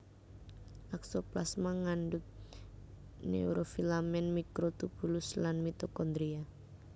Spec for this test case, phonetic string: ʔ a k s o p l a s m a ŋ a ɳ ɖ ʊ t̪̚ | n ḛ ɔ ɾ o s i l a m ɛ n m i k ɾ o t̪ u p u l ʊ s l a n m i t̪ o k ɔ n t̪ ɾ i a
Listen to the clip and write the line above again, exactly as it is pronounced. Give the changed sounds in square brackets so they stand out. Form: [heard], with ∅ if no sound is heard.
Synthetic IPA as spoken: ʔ a k s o p l a s m a ŋ a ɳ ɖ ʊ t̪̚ | n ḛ [u] ɾ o [f] i l a m ɛ n m i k ɾ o t̪ u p u l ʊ s l a n m i t̪ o k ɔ n [d̪] ɾ i a